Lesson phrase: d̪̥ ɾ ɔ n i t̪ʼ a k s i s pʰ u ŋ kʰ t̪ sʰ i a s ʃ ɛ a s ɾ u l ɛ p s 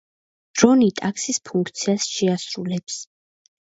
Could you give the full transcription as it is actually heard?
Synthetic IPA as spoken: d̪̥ ɾ ɔ n i t̪ʼ a k s i s pʰ u ŋ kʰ t̪ sʰ i a s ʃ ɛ a s ɾ u l ɛ p s